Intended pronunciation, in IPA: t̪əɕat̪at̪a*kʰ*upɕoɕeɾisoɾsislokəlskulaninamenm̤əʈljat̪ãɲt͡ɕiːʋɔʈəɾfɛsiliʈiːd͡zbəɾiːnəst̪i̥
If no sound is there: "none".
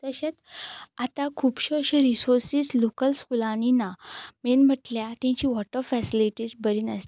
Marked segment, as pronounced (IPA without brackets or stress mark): kʰ